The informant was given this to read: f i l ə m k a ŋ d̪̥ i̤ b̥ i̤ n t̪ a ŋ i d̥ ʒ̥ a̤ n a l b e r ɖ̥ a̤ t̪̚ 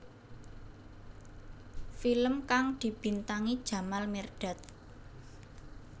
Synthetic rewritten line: f i l ə m k a ŋ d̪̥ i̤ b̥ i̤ n t̪ a ŋ i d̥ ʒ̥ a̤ m a l m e r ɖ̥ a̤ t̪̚

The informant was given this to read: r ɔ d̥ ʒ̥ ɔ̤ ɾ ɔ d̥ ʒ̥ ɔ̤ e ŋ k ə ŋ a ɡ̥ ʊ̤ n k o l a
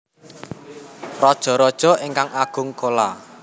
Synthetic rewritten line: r ɔ d̥ ʒ̥ ɔ̤ ɾ ɔ d̥ ʒ̥ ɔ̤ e ŋ k a ŋ a ɡ̥ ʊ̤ ŋ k o l a

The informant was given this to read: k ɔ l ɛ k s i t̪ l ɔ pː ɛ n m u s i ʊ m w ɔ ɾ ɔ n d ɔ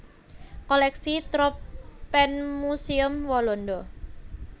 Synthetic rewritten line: k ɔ l ɛ k s i t̪ ɾ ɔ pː ɛ n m u s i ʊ m w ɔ l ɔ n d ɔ

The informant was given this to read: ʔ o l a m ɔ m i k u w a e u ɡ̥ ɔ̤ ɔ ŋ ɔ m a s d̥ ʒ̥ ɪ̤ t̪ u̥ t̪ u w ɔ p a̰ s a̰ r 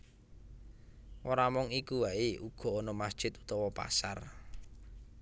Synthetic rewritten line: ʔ o ɾ a m ɔ ŋ i k u w a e u ɡ̥ ɔ̤ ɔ n ɔ m a s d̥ ʒ̥ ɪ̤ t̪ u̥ t̪ ɔ w ɔ p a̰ s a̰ r

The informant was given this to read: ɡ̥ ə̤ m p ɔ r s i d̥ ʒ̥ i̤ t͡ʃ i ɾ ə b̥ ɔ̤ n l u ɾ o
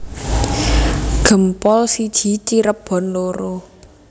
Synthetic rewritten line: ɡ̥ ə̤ m p ɔ l s i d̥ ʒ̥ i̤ t͡ʃ i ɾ ə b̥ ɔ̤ n l o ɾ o

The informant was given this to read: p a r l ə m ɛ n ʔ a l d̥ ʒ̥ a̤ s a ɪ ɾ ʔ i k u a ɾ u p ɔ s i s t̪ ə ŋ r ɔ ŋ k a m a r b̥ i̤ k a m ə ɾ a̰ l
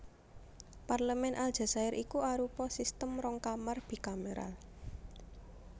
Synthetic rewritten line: p a r l ə m ɛ n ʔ a l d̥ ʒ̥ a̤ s a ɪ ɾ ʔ i k u a ɾ u p ɔ s i s t̪ ə m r ɔ ŋ k a m a r b̥ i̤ k a m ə ɾ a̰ l

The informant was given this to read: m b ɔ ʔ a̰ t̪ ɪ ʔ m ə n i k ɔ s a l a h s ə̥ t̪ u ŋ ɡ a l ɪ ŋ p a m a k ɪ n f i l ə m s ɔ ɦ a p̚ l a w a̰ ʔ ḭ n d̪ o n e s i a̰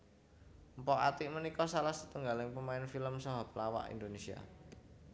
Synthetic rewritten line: m p ɔ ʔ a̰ t̪ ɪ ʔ m ə n i k ɔ s a l a h s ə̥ t̪ u ŋ ɡ a l ɪ ŋ p ə m a ɪ n f i l ə m s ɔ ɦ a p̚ l a w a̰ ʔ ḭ n d̪ o n e s i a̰

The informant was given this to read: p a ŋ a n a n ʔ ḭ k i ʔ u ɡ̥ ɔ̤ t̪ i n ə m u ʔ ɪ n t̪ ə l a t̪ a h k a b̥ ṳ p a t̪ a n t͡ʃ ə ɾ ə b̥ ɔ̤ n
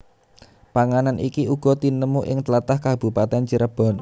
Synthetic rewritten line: p a ŋ a n a n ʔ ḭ k i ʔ u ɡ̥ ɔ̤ t̪ i n ə m u ʔ ɪ ŋ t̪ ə l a t̪ a h k a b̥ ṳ p a t̪ ɛ n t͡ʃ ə ɾ ə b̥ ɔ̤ n

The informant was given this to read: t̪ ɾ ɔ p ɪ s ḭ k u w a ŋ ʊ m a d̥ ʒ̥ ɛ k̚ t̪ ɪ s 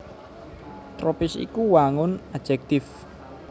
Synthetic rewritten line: t̪ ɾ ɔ p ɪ s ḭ k u w a ŋ ʊ n a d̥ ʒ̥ ɛ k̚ t̪ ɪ f

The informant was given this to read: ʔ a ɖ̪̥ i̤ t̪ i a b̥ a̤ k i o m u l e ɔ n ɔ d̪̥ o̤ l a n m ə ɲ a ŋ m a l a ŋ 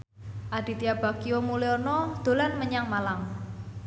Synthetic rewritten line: ʔ a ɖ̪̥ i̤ t̪ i a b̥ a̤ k i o m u l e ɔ n ɔ d̪̥ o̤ l a n m ə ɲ a ŋ m a l a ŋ

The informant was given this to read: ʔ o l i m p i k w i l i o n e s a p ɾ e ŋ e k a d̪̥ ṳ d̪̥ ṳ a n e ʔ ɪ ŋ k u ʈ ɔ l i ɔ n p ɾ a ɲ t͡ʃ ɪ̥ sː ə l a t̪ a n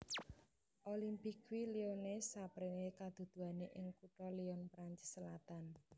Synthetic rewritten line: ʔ o l i m p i k w i l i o n e s a p ɾ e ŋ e k a d̪̥ ṳ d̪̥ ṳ a n e ʔ ɪ ŋ k u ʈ ɔ l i ɔ n p ɾ a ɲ t͡ʃ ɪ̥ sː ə l a t̪ a n

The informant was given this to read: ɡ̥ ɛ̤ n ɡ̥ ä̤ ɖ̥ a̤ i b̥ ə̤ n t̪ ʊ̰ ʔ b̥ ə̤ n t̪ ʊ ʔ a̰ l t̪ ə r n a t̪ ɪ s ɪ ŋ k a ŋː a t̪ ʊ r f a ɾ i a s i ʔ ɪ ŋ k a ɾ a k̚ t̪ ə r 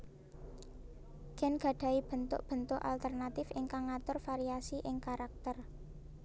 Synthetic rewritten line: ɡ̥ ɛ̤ n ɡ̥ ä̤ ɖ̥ a̤ i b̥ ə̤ n t̪ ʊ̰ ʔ b̥ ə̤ n t̪ ʊ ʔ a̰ l t̪ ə r n a t̪ ɪ f ɪ ŋ k a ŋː a t̪ ʊ r f a ɾ i a s i ʔ ɪ ŋ k a ɾ a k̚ t̪ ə r

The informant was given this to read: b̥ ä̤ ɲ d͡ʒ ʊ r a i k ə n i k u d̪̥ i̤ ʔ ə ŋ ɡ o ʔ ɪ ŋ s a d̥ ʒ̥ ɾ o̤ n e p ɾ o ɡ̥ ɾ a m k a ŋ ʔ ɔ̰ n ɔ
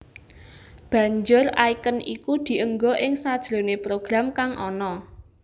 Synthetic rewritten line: b̥ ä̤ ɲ d͡ʒ ʊ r a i k ə n i k u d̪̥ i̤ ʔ ə ŋ ɡ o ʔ ɪ ŋ s a d̥ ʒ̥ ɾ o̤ n e p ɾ o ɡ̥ ɾ a m k a ŋ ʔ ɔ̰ n ɔ

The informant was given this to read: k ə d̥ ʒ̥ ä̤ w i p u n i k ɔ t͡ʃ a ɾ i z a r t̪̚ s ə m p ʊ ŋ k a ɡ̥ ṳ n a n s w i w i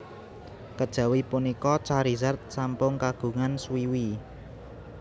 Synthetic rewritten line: k ə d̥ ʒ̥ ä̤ w i p u n i k ɔ t͡ʃ a ɾ i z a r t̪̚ s a m p ʊ ŋ k a ɡ̥ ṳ ŋ a n s w i w i

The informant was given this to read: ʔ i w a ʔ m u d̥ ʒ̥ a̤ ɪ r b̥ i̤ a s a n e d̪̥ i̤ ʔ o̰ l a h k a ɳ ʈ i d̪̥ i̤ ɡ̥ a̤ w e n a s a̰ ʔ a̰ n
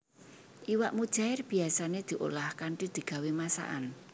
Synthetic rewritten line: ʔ i w a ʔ m u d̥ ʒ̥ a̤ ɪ r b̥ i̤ a s a n e d̪̥ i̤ ʔ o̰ l a h k a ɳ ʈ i d̪̥ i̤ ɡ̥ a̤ w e m a s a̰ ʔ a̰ n

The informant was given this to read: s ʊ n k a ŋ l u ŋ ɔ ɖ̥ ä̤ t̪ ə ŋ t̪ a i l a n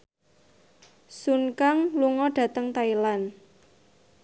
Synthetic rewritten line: s u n k a ŋ l u ŋ ɔ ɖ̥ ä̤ t̪ ə ŋ t̪ a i l a n

